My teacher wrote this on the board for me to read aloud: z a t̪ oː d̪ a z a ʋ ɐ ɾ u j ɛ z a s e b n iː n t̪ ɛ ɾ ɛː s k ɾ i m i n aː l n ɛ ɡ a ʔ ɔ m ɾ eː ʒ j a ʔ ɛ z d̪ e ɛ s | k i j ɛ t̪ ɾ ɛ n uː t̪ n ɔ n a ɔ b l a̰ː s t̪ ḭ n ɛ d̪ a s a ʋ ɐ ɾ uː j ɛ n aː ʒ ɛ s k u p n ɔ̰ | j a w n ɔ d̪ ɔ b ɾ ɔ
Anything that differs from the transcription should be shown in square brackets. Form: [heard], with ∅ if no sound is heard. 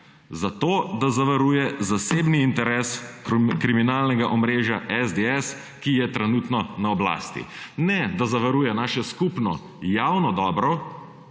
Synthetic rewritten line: z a t̪ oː d̪ a z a ʋ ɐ ɾ u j ɛ z a s e b n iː n t̪ ɛ ɾ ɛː s k ɾ i m i n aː l n ɛ ɡ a ʔ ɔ m ɾ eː ʒ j a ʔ ɛ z d̪ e ɛ s | k i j ɛ t̪ ɾ ɛ n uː t̪ n ɔ n a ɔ b l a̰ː s t̪ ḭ n ɛ d̪ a [z] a ʋ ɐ ɾ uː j ɛ n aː [ʃ] ɛ s k u p n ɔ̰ | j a w n ɔ d̪ ɔ b ɾ ɔ

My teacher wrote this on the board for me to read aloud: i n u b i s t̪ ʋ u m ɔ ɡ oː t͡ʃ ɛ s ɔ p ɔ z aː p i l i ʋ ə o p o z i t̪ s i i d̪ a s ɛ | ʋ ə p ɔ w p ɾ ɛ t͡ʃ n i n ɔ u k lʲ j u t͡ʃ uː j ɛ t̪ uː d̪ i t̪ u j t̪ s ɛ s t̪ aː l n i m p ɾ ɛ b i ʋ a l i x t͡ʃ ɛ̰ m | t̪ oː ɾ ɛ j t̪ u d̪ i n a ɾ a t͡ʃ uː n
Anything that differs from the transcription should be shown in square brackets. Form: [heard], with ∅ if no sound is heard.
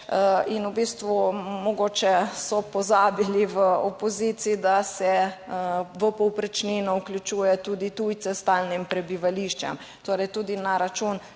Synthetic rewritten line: i n u b i s t̪ ʋ u m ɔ ɡ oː t͡ʃ ɛ s ɔ p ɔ z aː [b] i l i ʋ ə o p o z i t̪ s i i d̪ a s ɛ | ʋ ə p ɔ w p ɾ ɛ t͡ʃ n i n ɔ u k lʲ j u t͡ʃ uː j ɛ t̪ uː d̪ i t̪ u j t̪ s ɛ s t̪ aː l n i m p ɾ ɛ b i ʋ a l i [ʃ] t͡ʃ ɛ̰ m | t̪ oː ɾ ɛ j t̪ u d̪ i n a ɾ a t͡ʃ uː n

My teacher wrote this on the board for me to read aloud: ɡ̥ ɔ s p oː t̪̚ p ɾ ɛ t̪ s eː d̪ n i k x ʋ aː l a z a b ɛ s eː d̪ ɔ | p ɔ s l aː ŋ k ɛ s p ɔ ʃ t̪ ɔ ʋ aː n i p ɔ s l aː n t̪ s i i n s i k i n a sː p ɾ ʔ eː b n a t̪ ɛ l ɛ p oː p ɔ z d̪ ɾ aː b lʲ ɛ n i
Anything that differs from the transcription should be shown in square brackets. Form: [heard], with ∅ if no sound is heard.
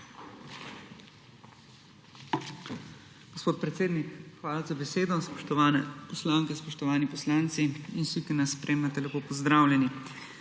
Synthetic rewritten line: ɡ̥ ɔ s p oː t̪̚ p ɾ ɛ t̪ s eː d̪ n i k x ʋ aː l a z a b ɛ s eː d̪ ɔ | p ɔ s l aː ŋ k ɛ s p ɔ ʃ t̪ ɔ ʋ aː n i p ɔ s l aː n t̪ s i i n s i k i n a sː p ɾ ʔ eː [m] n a t̪ ɛ l ɛ p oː p ɔ z d̪ ɾ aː [w] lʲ ɛ n i

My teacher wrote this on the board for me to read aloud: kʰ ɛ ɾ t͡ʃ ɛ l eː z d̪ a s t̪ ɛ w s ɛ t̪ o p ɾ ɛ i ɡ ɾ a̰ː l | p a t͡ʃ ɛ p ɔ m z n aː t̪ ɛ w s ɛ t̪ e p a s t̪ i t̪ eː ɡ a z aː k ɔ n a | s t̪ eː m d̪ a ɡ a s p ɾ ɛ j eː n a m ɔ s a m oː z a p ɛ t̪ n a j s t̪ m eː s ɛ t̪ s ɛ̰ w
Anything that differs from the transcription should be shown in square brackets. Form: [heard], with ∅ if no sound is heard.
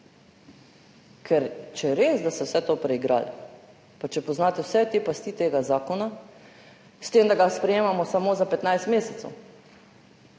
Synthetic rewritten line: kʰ ɛ ɾ t͡ʃ ɛ [ɾ] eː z d̪ a s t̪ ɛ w s ɛ t̪ o p ɾ ɛ i ɡ ɾ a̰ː l | p a t͡ʃ ɛ p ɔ [∅] z n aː t̪ ɛ w s ɛ t̪ e p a s t̪ i t̪ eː ɡ a z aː k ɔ n a | s t̪ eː m d̪ a ɡ a s p ɾ ɛ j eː [m] a m ɔ s a m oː z a p ɛ t̪ n a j s t̪ m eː s ɛ t̪ s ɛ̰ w

